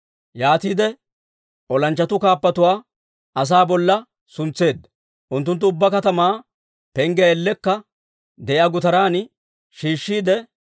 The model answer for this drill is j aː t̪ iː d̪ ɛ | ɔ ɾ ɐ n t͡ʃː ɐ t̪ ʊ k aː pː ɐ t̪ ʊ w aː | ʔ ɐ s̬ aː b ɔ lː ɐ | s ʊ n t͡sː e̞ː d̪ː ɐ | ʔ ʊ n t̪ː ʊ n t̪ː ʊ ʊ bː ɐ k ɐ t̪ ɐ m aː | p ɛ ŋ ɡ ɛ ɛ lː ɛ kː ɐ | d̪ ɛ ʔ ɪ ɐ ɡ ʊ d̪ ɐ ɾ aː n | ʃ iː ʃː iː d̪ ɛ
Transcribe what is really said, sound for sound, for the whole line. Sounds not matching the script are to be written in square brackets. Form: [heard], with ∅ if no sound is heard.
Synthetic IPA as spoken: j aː t̪ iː d̪ ɛ | ɔ [l] ɐ n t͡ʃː ɐ t̪ ʊ k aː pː ɐ t̪ ʊ w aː | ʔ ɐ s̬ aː b ɔ lː ɐ | s ʊ n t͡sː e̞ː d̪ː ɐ | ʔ ʊ n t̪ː ʊ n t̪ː ʊ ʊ bː ɐ k ɐ t̪ ɐ m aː | p ɛ ŋ ɡ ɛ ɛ lː ɛ kː ɐ | d̪ ɛ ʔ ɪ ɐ ɡ ʊ [t̪] ɐ ɾ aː n | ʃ iː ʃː iː d̪ ɛ